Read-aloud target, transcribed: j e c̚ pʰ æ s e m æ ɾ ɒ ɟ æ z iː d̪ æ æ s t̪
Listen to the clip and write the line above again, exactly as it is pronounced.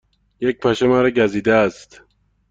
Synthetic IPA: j e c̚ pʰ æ ʃ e m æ ɾ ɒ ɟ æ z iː d̪ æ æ s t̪